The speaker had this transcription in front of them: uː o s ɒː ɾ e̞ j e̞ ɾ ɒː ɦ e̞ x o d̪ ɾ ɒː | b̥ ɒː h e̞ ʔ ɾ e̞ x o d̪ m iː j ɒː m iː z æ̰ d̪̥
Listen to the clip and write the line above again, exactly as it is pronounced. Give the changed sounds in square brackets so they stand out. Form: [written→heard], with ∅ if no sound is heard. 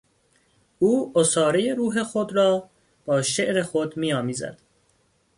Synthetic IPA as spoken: uː o s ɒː ɾ e̞ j e̞ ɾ [ɒː→uː] ɦ e̞ x o d̪ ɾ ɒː | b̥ ɒː [h→ʃ] e̞ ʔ ɾ e̞ x o d̪ m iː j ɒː m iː z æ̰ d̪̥